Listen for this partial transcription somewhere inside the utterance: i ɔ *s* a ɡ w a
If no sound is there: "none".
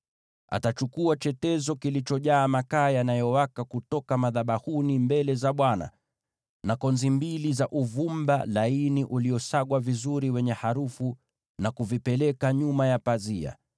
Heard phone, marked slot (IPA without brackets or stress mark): s